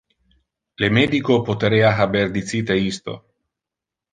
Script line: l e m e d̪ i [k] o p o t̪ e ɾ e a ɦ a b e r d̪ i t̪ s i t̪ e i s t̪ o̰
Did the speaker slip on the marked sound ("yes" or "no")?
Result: no